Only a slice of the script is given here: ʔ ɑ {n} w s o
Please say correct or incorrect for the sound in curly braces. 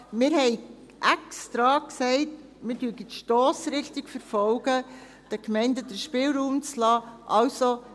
incorrect